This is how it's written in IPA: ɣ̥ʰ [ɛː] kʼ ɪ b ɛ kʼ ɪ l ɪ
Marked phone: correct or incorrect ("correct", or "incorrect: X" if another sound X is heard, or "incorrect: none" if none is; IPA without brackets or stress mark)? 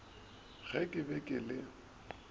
incorrect: ɛ